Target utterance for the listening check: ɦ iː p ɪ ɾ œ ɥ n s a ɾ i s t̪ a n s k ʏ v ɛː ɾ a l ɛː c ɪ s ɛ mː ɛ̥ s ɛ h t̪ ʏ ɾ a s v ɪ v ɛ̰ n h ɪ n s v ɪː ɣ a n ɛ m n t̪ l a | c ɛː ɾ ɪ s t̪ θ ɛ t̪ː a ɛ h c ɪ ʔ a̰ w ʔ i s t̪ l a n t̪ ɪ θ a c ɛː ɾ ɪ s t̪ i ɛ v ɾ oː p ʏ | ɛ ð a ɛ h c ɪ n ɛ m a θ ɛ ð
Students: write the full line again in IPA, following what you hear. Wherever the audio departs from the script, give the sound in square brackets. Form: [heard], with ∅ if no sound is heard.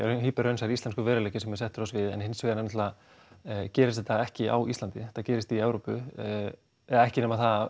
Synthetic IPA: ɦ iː p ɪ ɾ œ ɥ n s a ɾ i s t̪ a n s k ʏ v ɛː ɾ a l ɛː c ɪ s ɛ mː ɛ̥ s ɛ h t̪ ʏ ɾ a s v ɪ [ð] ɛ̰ n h ɪ n s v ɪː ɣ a n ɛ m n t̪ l a | c ɛː ɾ ɪ s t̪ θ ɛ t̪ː a ɛ h c ɪ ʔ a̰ w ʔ i s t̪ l a n t̪ ɪ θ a c ɛː ɾ ɪ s t̪ i ɛ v ɾ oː p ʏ | ɛ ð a ɛ h c ɪ n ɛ m a θ [a] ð